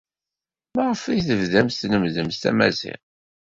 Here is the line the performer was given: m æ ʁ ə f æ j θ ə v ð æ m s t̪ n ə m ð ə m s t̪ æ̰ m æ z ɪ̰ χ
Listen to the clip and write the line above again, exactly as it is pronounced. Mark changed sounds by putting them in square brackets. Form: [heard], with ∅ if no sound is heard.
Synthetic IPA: m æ ʁ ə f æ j θ ə v ð æ m s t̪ n ə m ð ə m s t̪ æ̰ m æ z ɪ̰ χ

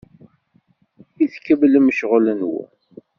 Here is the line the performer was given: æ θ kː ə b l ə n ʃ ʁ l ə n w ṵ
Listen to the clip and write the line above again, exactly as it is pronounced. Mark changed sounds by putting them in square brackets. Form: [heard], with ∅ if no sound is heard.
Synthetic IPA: [i] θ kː ə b l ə [m] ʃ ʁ l ə n w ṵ

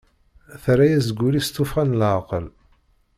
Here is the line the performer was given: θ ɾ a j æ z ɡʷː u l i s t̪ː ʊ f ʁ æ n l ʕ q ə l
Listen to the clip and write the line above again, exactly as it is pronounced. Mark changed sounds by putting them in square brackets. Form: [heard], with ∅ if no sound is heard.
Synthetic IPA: θ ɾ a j æ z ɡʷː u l i s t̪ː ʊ f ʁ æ n l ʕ q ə l

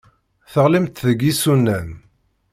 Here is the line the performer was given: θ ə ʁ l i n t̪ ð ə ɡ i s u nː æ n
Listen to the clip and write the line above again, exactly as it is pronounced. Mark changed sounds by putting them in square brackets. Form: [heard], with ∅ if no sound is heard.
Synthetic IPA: θ ə ʁ l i [m] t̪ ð ə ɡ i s u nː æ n

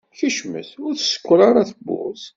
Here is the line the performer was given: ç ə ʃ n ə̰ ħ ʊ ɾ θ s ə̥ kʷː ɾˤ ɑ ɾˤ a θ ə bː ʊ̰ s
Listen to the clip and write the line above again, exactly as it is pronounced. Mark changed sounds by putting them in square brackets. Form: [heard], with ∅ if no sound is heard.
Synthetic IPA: ç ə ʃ [m] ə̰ [θ] ʊ ɾ θ s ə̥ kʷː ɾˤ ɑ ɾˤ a θ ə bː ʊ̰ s

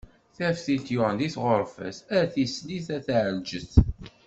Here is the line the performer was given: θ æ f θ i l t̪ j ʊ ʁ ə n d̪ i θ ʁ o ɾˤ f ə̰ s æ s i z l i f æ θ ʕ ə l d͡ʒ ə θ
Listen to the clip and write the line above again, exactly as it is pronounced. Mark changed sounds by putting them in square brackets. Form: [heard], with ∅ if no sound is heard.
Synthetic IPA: θ æ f θ i l t̪ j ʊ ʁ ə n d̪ i θ ʁ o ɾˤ f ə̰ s æ [θ] i [s] l i [θ] æ θ ʕ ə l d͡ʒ ə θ

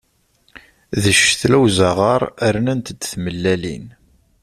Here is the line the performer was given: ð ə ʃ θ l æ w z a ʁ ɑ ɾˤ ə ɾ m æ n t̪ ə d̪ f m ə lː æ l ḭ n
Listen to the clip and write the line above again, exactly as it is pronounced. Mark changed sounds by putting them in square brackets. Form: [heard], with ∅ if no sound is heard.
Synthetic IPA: ð ə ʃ θ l æ w z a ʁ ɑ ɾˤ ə ɾ [n] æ n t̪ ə d̪ [θ] m ə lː æ l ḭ n

